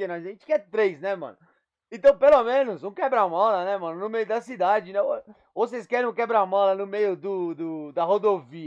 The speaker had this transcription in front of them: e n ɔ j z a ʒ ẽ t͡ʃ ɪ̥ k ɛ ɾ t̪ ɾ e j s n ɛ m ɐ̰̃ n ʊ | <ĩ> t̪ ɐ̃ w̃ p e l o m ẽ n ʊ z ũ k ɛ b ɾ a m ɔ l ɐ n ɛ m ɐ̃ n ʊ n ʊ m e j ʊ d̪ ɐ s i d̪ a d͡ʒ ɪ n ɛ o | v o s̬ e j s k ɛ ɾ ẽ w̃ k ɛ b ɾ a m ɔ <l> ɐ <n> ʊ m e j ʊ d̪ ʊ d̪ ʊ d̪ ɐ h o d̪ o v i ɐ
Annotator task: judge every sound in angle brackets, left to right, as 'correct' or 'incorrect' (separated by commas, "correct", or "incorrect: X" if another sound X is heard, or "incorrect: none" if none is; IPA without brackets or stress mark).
incorrect: ẽ, correct, correct